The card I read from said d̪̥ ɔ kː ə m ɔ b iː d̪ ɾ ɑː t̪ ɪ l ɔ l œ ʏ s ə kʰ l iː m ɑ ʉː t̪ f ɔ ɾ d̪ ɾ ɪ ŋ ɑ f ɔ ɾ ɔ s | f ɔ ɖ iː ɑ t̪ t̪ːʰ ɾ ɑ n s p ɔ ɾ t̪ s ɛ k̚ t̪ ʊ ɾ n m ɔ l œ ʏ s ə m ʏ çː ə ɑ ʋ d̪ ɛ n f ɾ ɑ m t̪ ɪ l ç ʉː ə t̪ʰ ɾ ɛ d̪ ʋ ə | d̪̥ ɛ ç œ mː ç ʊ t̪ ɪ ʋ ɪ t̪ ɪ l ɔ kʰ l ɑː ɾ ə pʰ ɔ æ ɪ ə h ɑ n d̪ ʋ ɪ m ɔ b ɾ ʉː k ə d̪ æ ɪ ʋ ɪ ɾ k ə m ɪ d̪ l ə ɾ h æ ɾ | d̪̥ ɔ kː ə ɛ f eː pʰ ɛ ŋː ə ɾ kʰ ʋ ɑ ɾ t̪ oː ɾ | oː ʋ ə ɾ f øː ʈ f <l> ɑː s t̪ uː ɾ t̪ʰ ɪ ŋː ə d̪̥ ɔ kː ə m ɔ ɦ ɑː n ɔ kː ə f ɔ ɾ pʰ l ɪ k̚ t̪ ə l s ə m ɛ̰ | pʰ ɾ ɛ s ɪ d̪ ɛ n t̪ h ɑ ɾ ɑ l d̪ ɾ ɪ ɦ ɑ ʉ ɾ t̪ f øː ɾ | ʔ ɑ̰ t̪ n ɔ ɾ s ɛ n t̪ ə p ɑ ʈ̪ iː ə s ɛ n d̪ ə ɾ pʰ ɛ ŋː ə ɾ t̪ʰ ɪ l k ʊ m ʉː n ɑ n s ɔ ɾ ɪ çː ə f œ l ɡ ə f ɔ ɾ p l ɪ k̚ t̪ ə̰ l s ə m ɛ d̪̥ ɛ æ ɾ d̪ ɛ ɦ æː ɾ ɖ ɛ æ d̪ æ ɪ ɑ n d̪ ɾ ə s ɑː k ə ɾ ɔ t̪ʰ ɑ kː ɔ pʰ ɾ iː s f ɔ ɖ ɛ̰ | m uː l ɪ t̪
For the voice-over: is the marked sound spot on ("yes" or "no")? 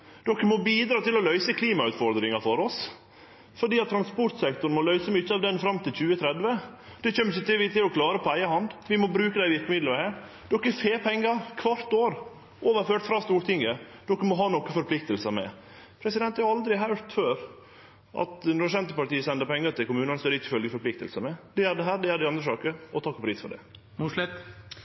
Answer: no